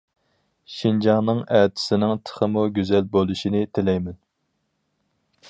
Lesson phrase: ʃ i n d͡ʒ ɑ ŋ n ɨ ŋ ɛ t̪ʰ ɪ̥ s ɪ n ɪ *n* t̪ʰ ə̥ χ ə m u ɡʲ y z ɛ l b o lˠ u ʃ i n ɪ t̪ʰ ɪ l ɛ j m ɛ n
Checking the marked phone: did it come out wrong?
yes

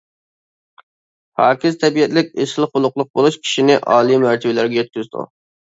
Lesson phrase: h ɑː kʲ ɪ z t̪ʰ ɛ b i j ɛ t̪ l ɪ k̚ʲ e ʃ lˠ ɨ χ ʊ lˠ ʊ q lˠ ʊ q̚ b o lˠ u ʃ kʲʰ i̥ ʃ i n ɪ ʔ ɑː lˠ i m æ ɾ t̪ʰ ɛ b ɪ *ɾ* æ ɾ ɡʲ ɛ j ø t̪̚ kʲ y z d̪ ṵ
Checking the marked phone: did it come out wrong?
yes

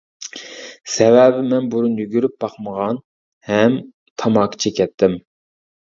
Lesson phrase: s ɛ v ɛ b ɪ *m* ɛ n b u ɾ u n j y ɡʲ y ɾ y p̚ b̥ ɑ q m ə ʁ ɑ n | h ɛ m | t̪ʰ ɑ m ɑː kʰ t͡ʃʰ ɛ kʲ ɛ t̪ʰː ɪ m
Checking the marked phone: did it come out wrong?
no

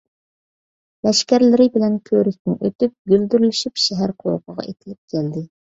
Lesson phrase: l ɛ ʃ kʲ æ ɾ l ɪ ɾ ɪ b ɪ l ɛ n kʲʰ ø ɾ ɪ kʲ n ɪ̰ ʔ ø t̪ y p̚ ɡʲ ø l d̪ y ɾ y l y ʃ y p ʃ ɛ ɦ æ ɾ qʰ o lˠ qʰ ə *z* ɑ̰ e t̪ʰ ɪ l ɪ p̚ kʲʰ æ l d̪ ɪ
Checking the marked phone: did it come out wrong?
yes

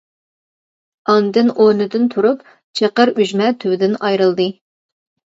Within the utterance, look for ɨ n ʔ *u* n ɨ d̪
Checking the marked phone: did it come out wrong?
yes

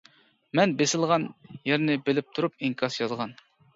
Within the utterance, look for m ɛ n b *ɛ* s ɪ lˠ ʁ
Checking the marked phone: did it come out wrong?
yes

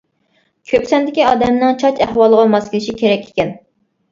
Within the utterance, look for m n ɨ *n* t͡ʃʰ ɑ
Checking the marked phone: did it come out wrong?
yes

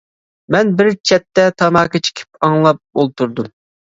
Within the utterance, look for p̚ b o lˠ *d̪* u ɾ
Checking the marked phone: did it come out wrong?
yes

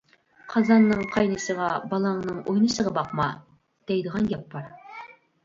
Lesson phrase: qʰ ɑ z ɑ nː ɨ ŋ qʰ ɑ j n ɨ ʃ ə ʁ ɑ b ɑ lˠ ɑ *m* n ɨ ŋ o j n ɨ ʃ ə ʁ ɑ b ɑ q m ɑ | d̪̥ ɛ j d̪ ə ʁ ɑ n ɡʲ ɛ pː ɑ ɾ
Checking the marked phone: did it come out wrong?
yes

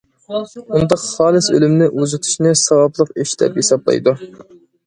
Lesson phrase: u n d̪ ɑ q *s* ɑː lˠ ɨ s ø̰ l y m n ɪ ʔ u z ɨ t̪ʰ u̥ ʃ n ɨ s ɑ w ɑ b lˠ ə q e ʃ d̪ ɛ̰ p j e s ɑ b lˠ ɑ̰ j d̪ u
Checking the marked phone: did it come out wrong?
yes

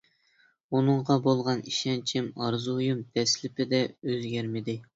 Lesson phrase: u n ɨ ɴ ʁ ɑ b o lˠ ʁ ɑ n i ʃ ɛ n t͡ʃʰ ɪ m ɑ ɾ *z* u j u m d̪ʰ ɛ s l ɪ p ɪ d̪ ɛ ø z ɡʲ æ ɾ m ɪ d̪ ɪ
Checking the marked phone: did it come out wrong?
no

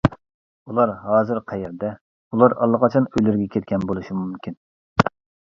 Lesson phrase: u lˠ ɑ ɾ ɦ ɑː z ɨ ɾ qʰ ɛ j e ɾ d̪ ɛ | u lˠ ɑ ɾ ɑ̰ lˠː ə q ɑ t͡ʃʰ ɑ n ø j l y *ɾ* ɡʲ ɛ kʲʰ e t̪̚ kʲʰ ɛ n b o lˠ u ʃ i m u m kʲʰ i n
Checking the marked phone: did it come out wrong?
no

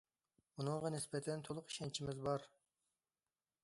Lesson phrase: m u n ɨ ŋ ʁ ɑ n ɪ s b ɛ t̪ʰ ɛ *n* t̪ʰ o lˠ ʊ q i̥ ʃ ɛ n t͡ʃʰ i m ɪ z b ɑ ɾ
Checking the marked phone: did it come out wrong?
no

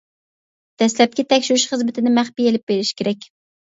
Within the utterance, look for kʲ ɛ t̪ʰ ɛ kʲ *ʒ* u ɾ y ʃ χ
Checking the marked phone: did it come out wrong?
yes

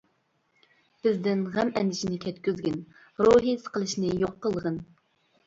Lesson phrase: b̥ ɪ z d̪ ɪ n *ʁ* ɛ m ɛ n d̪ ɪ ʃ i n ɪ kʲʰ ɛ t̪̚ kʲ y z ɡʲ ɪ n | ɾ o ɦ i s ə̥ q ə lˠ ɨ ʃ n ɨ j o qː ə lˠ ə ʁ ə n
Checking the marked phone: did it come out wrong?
no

